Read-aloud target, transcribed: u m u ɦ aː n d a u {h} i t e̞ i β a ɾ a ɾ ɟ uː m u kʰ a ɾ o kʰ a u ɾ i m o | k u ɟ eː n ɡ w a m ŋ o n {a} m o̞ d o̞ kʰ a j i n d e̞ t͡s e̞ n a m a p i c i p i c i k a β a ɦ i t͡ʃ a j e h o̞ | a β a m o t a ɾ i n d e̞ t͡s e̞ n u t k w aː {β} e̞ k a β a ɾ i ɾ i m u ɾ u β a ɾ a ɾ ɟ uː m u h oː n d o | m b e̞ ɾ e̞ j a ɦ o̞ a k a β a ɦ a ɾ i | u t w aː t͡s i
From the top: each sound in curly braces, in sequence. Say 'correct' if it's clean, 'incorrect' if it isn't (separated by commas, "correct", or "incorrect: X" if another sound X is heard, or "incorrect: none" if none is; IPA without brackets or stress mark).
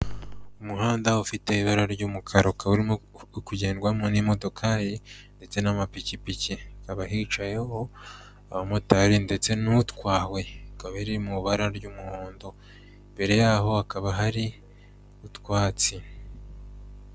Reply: incorrect: f, incorrect: i, incorrect: w